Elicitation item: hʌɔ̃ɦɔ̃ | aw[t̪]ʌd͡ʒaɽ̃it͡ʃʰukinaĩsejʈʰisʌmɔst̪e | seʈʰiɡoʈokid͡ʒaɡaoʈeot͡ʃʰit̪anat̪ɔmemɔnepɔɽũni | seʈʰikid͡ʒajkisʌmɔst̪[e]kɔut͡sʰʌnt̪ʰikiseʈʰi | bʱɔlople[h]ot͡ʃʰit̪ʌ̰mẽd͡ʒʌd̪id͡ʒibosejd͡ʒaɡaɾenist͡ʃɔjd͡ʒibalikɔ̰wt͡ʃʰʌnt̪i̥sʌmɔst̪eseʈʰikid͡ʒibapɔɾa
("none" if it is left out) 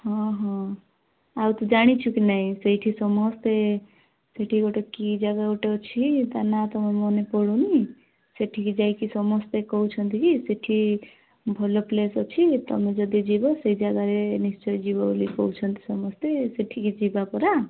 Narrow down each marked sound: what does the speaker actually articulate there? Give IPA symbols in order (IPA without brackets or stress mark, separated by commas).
t̪, e, s